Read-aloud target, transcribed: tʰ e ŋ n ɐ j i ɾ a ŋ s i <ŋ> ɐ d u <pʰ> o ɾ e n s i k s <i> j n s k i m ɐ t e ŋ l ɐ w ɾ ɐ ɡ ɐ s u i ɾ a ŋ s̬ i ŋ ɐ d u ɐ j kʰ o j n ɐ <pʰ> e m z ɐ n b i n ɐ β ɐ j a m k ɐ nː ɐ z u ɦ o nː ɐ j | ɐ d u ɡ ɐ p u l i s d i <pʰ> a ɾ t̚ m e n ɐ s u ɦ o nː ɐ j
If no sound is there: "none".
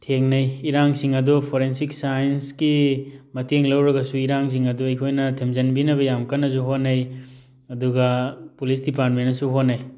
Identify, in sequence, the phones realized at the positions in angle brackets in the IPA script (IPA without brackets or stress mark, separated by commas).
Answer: ŋ, pʰ, a, tʰ, p